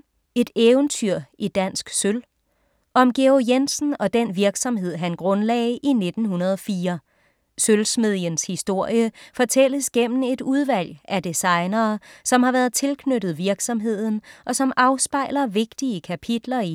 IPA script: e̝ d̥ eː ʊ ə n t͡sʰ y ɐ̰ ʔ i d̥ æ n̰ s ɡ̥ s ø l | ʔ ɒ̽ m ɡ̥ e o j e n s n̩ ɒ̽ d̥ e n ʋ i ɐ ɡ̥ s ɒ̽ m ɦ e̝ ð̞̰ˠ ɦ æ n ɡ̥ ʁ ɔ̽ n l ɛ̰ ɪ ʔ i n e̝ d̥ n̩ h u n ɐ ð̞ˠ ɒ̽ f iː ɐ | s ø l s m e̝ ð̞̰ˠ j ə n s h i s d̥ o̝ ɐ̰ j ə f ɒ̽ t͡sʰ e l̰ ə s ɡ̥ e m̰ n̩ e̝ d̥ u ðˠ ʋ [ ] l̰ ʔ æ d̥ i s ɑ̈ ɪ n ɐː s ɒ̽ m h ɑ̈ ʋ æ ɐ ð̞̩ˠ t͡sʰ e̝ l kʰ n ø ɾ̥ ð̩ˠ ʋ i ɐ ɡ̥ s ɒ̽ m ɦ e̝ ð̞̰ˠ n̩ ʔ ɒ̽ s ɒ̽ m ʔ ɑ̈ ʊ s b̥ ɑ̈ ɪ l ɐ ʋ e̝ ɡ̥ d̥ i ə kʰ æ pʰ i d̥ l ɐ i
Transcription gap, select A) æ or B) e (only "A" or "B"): A